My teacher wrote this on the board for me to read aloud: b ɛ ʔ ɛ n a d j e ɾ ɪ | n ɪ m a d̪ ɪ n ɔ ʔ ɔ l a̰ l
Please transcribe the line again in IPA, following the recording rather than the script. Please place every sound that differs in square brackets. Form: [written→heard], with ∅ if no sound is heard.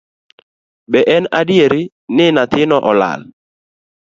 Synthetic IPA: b ɛ ʔ ɛ n a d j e ɾ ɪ | n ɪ [m→n] a [d̪→t̪] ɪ n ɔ ʔ ɔ l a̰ l